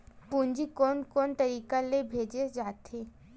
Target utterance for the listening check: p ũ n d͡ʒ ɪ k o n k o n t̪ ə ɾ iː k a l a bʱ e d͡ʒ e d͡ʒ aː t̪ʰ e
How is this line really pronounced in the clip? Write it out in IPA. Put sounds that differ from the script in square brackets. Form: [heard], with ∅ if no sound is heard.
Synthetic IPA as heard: p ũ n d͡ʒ [i] k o n k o n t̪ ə ɾ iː k a l [e] bʱ e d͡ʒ e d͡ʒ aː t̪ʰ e